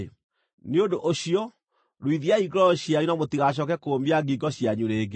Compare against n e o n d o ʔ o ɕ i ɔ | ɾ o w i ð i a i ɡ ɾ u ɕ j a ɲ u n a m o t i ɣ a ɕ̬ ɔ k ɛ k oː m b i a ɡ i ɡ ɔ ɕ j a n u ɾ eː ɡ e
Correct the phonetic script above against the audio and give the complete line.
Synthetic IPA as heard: n e o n d o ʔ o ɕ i ɔ | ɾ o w i ð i a i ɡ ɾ ɔ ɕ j a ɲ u n a m o t i ɣ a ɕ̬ ɔ k ɛ k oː m b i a ɡ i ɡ ɔ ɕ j a ɲ u ɾ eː ɡ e